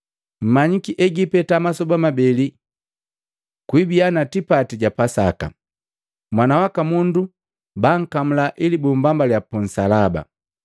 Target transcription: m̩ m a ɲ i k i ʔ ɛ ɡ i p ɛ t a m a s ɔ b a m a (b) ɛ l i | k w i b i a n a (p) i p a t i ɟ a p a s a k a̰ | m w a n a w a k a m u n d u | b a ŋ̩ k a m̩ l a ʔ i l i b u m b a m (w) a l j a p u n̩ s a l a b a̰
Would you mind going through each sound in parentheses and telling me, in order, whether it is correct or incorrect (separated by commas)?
correct, incorrect, incorrect